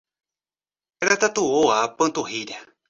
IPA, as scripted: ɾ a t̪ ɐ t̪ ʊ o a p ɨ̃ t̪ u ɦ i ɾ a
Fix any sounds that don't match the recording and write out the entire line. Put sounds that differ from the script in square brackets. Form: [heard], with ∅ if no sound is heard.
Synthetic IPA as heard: ɾ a t̪ [a] t̪ [u] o a p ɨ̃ t̪ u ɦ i ɾ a